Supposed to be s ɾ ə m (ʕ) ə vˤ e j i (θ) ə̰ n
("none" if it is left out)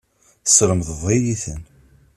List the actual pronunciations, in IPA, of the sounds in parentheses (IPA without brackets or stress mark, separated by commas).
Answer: ð, θ